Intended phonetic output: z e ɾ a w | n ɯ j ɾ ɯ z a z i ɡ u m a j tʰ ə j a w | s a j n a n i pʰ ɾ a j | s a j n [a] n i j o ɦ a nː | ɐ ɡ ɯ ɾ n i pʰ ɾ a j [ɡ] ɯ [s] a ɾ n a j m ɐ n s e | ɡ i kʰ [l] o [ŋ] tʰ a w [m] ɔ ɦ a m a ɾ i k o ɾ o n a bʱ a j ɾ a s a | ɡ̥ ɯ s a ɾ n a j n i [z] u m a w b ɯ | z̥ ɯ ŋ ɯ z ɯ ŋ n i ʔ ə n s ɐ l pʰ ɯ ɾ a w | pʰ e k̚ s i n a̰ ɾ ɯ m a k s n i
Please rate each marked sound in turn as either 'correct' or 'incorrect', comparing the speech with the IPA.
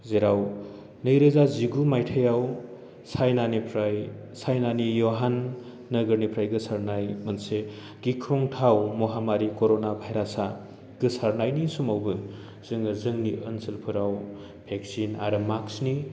correct, correct, correct, incorrect, correct, correct, incorrect

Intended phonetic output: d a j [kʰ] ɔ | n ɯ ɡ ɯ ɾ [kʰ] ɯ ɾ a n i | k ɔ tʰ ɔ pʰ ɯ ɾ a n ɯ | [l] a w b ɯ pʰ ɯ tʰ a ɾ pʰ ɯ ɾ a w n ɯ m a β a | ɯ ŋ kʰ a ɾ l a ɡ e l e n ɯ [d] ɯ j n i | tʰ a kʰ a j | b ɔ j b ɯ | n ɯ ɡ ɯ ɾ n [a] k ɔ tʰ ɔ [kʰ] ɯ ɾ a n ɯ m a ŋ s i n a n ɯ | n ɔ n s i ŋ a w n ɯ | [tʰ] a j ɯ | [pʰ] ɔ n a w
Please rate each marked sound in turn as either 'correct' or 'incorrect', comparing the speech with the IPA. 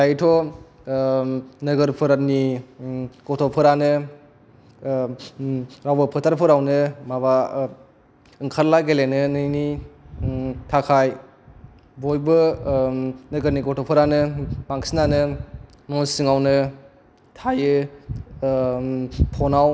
incorrect, incorrect, incorrect, incorrect, incorrect, incorrect, correct, correct

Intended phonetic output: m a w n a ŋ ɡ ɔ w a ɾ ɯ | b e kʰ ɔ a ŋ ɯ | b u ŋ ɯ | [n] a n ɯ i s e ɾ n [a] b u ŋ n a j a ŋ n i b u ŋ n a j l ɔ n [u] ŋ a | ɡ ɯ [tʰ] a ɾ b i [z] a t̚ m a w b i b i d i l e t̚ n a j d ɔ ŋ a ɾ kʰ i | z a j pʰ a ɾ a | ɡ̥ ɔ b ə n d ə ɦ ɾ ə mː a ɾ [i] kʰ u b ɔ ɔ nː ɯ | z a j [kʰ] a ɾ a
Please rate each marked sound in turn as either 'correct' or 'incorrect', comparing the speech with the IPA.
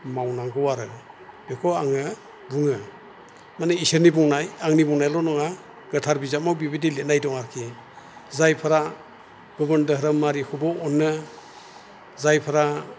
incorrect, incorrect, incorrect, correct, correct, correct, incorrect

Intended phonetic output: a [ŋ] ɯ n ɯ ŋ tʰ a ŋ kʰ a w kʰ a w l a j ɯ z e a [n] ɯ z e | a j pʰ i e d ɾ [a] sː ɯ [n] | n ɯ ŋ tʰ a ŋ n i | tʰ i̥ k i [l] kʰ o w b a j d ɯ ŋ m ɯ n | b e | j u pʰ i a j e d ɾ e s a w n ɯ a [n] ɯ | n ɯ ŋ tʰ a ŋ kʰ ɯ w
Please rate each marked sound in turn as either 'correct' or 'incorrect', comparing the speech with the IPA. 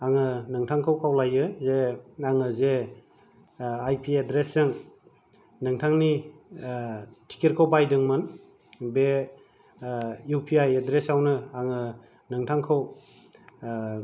correct, incorrect, incorrect, incorrect, incorrect, incorrect

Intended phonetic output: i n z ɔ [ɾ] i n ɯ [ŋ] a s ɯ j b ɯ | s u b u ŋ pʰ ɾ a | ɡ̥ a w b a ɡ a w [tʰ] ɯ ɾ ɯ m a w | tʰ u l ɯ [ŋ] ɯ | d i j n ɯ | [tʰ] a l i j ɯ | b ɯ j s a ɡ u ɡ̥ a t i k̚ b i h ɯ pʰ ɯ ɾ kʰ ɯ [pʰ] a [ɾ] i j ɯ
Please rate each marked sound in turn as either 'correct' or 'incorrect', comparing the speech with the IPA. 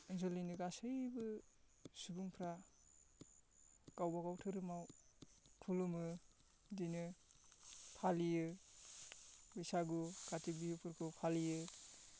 incorrect, incorrect, correct, incorrect, incorrect, correct, incorrect

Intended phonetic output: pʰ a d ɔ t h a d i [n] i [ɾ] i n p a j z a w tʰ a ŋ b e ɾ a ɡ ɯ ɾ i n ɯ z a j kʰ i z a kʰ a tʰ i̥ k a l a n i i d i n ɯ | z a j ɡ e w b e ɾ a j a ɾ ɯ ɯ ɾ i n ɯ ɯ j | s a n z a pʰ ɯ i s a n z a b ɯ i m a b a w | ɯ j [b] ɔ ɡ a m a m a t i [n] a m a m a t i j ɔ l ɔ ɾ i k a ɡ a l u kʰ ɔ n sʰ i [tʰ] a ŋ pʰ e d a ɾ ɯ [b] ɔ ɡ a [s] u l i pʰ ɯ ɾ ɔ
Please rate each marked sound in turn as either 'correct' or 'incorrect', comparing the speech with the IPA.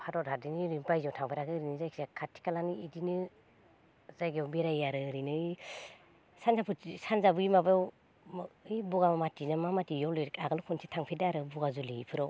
correct, correct, correct, correct, correct, correct, incorrect

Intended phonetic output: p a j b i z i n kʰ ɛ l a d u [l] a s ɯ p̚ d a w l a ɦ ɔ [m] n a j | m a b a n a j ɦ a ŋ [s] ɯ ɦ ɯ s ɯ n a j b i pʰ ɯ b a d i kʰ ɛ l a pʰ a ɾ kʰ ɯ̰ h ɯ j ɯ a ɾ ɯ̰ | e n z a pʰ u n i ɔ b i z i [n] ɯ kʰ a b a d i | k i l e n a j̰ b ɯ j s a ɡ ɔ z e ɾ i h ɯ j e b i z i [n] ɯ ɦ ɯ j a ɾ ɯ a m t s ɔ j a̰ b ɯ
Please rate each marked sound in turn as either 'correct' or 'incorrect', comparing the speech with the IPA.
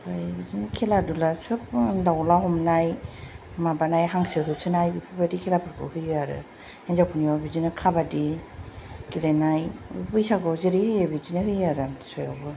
correct, correct, correct, correct, correct

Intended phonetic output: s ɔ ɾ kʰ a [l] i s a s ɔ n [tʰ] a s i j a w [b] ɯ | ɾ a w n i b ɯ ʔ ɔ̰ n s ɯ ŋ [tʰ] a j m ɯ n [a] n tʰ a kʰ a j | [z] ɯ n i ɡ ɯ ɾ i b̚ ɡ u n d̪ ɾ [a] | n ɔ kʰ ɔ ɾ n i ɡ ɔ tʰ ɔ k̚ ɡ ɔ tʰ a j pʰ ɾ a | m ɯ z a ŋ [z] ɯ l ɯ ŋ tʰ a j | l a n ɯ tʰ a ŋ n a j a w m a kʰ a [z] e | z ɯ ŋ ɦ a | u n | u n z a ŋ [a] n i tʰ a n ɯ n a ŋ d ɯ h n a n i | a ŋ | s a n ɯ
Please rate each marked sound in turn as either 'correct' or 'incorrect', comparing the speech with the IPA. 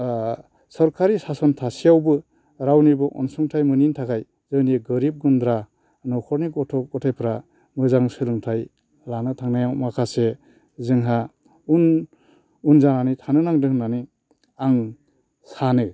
incorrect, correct, correct, correct, incorrect, correct, correct, incorrect, incorrect, correct

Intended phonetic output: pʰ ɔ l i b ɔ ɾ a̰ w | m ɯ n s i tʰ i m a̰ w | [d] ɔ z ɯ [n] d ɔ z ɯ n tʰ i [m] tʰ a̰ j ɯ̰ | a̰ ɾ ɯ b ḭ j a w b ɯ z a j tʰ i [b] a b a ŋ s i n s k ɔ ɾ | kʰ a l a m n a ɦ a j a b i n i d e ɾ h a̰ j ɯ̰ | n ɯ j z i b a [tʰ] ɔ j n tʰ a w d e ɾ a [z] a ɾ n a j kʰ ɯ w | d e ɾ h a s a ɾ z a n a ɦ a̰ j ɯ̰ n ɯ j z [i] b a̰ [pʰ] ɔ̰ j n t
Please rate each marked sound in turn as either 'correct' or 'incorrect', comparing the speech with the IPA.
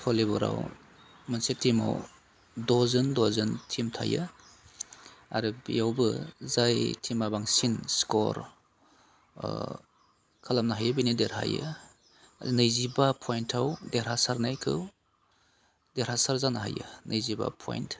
correct, correct, correct, incorrect, incorrect, incorrect, correct, correct

